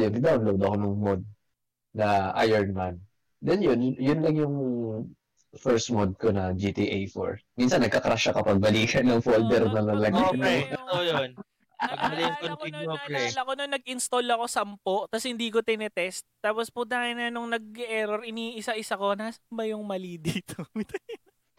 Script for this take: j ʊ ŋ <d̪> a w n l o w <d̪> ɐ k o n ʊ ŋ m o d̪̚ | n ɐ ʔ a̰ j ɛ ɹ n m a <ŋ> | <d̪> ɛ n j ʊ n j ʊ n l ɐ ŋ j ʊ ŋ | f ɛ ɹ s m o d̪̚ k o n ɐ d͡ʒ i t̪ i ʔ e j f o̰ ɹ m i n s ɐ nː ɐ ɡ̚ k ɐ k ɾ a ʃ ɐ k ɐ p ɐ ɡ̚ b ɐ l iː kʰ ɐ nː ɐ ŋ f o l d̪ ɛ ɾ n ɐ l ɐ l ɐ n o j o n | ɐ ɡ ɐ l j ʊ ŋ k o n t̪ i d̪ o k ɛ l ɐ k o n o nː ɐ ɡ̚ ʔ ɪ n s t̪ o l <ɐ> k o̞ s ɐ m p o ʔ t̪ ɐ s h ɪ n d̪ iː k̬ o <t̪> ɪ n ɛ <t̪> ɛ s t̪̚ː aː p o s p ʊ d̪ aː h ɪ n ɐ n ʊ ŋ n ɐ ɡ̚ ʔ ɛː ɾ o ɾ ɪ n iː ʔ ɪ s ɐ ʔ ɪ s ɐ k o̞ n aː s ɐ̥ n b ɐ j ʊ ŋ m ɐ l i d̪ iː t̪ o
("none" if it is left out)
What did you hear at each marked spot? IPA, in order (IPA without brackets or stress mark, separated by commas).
d̪, d̪, n, d̪, ɐ, t̪, t̪